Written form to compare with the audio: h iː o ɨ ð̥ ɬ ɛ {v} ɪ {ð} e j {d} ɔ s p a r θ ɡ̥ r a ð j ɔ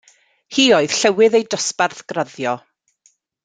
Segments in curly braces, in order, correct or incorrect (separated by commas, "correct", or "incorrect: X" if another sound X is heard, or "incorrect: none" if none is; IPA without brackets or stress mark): incorrect: w, correct, correct